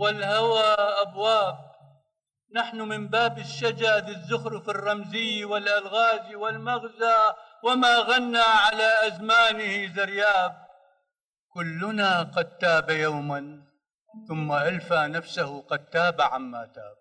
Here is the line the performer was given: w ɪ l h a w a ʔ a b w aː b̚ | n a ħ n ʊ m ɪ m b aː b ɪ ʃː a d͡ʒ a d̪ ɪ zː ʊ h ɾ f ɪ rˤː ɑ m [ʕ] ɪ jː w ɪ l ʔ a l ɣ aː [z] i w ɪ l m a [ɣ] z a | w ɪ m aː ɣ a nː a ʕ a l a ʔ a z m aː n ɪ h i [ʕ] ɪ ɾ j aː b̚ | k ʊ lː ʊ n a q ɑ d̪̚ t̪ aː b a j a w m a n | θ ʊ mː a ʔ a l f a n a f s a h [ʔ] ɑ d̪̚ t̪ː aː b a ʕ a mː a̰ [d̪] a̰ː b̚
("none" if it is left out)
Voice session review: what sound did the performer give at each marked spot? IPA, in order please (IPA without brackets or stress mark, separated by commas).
z, z, ɣ, z, q, t̪